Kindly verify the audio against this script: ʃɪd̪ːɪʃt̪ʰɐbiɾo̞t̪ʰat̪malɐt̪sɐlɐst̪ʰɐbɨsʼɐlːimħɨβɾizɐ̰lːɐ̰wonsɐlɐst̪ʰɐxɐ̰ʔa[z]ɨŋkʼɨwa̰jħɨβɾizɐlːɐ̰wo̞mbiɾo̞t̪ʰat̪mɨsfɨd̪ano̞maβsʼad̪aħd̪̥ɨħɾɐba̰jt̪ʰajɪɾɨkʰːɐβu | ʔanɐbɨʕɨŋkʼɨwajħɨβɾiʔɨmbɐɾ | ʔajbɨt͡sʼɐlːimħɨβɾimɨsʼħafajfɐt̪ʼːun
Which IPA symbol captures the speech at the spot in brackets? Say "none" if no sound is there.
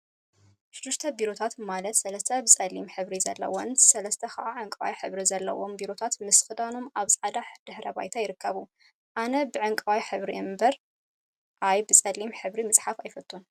ʕ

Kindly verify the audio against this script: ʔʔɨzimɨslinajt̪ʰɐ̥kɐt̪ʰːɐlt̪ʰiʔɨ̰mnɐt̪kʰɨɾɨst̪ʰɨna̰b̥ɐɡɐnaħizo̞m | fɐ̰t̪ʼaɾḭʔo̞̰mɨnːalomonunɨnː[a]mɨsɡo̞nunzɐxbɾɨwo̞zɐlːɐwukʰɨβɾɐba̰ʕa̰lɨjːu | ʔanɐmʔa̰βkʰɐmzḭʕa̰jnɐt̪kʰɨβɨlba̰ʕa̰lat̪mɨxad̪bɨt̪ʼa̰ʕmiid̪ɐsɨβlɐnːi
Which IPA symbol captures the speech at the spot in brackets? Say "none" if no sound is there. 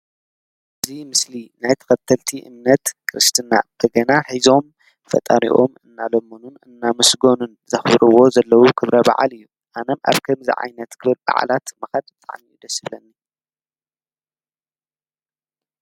a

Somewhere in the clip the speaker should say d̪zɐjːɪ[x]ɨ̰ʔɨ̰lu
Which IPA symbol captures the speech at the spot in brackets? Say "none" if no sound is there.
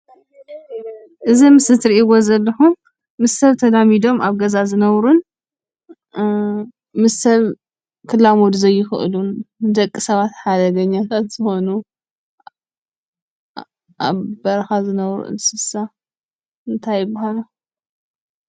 x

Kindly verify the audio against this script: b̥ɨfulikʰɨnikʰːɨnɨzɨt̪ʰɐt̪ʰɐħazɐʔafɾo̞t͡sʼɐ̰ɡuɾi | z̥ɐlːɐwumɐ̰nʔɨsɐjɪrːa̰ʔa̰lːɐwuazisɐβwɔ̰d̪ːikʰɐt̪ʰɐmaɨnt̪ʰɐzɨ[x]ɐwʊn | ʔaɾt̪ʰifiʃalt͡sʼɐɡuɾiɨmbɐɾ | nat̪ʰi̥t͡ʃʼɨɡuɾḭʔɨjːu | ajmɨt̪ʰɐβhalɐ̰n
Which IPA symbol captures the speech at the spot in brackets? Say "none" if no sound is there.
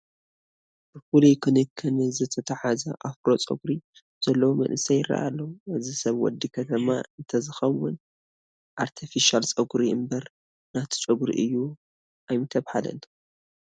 x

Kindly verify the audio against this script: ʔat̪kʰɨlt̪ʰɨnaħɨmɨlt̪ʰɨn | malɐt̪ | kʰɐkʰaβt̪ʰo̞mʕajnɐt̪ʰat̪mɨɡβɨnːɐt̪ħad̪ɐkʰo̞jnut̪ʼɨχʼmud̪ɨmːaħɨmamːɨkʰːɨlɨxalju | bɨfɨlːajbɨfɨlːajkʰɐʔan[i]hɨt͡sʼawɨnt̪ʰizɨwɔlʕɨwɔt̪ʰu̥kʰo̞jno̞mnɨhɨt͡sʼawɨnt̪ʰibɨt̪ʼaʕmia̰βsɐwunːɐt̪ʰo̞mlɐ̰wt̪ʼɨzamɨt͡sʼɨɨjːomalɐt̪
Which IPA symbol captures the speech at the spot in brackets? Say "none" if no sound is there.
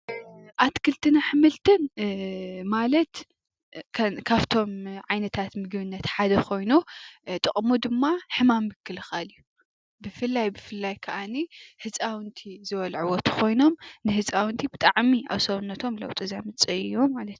i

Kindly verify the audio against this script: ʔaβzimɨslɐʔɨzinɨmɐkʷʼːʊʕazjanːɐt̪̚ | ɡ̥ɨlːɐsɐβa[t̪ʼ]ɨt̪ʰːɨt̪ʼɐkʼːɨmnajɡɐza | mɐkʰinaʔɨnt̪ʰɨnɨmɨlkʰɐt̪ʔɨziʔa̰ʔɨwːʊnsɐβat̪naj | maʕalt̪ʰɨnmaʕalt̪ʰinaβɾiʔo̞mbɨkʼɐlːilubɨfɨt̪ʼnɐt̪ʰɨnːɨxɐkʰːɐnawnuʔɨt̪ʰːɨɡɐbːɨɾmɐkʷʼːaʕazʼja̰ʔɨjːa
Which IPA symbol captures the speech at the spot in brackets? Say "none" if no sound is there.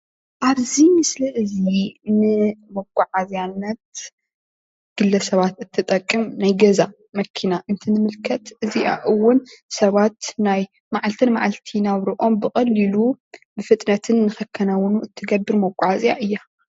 t̪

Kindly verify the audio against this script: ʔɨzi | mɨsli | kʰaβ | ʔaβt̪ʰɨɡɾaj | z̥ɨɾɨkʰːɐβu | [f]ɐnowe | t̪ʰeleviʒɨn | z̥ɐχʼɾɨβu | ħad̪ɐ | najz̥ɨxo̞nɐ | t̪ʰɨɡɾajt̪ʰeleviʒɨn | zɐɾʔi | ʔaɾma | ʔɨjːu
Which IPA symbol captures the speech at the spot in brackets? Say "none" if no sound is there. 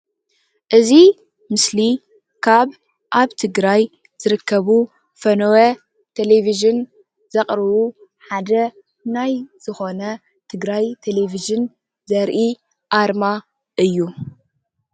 f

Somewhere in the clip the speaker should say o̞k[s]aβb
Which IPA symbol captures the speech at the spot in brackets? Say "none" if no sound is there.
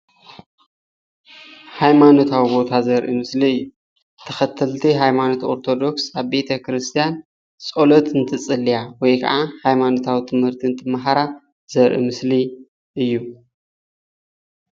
s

